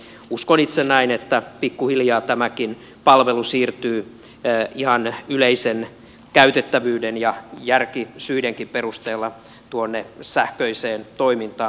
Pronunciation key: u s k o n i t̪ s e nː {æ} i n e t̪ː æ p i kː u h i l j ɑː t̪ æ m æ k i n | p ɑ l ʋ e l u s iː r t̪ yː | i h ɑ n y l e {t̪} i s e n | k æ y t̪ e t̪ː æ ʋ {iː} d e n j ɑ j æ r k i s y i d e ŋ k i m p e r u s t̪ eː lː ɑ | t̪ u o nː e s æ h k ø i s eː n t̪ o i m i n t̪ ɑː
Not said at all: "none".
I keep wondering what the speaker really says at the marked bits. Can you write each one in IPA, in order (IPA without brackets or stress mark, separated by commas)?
æ, none, yː